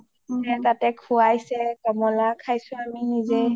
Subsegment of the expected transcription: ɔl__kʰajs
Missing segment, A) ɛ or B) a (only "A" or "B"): B